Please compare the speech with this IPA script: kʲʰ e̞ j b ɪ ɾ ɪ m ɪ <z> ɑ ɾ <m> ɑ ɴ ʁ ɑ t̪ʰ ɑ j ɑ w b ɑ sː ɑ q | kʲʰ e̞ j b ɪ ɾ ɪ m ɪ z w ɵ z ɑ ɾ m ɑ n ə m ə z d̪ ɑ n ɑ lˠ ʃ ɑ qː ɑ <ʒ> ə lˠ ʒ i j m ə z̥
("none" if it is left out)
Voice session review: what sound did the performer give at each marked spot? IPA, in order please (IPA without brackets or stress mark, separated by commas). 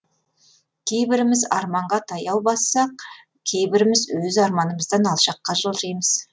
z, m, ʒ